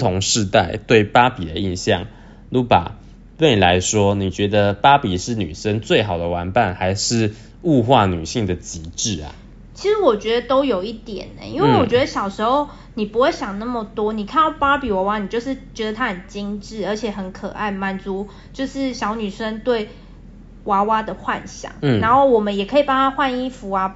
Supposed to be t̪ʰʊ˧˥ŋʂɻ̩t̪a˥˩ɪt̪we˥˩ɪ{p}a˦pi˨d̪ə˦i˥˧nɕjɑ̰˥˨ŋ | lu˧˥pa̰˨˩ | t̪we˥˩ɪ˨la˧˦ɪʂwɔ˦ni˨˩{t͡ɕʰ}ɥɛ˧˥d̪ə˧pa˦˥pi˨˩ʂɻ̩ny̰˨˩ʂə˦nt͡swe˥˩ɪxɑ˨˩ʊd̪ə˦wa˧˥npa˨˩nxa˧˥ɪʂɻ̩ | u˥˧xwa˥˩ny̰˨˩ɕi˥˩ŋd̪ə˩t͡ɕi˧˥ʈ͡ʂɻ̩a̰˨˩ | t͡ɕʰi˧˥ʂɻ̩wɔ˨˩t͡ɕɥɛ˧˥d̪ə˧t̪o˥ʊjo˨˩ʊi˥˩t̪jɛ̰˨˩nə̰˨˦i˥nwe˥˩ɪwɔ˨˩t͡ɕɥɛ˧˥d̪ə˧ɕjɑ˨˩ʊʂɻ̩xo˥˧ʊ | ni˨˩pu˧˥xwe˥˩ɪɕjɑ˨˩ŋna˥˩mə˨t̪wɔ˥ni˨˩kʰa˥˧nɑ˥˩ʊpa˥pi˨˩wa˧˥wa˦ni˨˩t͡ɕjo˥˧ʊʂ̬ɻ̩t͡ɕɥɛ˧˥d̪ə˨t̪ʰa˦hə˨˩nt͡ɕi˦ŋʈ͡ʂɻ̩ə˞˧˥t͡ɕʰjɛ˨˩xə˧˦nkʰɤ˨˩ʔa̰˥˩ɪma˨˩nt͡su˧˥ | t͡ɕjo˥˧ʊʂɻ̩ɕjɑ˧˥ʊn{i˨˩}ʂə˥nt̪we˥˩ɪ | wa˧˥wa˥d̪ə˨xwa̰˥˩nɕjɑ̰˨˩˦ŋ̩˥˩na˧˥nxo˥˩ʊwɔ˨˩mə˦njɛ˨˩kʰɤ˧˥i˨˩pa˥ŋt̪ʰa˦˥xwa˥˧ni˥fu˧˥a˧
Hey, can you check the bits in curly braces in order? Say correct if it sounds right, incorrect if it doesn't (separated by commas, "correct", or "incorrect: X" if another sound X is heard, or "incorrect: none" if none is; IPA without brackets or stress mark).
correct, incorrect: t͡ɕ, incorrect: y˨˩